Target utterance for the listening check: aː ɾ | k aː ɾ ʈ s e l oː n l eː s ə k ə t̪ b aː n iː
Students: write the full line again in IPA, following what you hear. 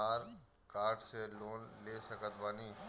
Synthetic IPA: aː ɾ | k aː ɾ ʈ s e l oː n l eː s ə k ə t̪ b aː n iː